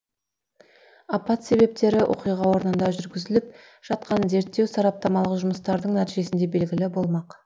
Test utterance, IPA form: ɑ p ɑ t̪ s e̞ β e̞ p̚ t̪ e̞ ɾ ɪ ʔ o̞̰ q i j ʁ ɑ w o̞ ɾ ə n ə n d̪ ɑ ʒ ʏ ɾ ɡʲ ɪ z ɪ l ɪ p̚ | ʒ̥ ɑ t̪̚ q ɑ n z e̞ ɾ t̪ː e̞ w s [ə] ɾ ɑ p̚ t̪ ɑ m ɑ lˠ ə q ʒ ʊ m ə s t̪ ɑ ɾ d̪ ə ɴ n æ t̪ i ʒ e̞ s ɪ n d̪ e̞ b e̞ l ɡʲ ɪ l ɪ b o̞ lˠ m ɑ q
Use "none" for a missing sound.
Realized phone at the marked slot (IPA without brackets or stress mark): ɑ